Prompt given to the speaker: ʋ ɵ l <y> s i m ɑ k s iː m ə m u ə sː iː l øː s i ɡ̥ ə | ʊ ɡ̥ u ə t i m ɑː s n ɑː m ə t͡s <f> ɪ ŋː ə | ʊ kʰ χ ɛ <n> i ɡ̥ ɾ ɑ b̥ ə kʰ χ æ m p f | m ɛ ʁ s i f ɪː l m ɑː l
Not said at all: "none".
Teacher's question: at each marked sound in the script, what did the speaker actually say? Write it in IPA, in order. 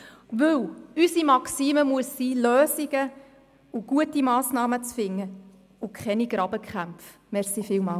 y, f, n

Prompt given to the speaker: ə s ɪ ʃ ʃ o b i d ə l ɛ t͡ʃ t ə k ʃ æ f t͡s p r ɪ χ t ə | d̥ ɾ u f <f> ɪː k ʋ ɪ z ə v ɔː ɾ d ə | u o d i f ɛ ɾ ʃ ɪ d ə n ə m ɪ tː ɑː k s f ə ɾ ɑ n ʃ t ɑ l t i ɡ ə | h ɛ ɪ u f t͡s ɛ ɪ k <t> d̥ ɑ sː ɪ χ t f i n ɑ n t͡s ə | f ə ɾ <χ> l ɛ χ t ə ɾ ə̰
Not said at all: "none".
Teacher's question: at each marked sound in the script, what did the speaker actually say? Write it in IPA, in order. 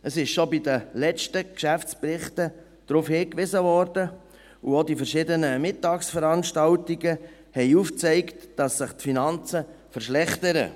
h, t, ʃ

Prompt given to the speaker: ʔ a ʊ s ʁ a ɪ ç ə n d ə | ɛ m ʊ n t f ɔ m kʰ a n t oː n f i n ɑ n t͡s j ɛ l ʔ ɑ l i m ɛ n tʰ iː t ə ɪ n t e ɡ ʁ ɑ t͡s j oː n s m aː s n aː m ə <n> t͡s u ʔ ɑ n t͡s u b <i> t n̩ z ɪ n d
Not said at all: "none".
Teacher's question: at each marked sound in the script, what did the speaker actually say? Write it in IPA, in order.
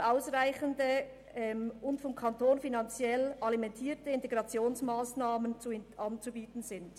n, iː

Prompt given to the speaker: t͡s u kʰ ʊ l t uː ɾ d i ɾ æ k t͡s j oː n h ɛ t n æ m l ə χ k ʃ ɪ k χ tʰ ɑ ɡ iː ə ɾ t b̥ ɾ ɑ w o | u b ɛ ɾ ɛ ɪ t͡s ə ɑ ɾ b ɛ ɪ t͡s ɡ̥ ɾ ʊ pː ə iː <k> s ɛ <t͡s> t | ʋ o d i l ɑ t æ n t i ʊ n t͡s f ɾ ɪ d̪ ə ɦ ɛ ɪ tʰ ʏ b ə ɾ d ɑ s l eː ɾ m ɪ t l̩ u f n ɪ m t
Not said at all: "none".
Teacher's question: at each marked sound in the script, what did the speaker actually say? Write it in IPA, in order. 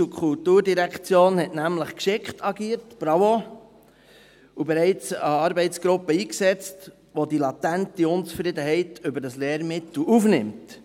k, t͡s

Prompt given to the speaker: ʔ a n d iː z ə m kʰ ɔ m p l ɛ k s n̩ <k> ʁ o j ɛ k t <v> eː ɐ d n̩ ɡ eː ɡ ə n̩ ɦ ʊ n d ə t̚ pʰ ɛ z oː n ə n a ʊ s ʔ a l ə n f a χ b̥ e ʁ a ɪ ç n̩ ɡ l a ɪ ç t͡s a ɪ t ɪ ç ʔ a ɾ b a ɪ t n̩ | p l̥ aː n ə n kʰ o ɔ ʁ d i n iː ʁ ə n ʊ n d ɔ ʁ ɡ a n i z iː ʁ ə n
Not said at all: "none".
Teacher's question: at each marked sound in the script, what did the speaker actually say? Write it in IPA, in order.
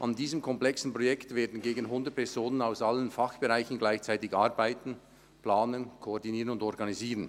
p, v

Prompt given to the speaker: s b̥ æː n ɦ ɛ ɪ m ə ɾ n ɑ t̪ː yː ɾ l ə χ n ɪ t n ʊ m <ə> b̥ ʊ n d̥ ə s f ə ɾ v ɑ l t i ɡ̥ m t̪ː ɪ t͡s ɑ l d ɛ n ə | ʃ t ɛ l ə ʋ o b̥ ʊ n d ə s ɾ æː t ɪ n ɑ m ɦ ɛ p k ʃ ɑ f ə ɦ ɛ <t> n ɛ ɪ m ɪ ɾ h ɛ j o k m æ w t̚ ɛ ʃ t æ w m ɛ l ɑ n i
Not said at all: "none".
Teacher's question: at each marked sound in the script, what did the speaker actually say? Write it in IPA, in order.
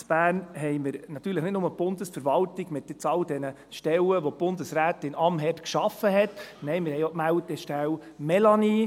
ə, t

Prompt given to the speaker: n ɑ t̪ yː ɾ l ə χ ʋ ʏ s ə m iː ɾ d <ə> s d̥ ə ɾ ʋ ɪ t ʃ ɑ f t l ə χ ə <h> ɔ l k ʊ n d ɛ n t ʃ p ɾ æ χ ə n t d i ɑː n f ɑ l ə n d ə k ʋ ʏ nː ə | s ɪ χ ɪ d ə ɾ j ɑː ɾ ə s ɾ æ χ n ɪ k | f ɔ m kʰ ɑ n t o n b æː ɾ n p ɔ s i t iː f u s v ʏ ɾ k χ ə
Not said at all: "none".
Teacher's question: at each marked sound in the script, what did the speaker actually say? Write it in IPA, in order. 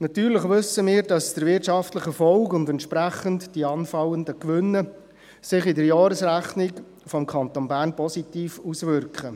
ɑ, f

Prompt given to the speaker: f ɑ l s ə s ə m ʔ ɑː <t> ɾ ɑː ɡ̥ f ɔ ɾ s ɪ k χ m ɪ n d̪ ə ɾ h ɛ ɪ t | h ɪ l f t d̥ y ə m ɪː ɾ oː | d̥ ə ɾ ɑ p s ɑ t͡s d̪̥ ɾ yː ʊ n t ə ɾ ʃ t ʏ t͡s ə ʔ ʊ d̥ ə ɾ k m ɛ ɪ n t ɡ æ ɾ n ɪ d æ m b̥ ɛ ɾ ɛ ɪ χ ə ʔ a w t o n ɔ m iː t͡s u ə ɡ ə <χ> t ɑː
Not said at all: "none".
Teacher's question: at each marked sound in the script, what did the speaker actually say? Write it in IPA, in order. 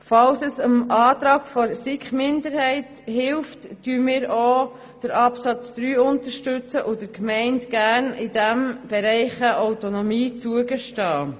t, ʃ

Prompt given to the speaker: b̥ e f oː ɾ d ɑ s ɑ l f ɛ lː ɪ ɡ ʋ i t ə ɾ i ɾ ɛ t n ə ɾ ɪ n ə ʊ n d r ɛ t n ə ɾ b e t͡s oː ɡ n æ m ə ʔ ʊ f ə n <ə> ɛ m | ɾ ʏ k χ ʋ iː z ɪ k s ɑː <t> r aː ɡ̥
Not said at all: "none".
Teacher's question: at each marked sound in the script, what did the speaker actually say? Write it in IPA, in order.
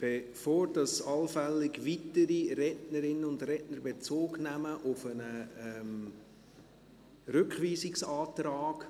ə, t

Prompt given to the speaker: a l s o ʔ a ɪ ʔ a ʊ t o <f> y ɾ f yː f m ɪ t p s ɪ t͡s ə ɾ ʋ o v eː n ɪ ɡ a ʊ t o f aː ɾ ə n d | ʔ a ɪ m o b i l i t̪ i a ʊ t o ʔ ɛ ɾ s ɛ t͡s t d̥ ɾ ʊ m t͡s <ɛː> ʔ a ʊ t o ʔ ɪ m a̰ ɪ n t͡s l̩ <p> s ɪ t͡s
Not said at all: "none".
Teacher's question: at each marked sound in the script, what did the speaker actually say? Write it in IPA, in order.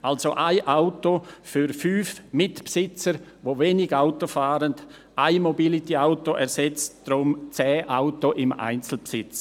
f, ɛː, p

